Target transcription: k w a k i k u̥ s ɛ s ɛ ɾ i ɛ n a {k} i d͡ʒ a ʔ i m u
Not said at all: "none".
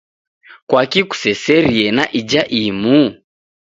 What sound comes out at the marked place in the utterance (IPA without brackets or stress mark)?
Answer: ʔ